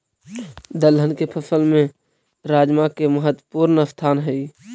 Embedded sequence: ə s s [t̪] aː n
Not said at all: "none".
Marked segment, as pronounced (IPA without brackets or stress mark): t̪ʰ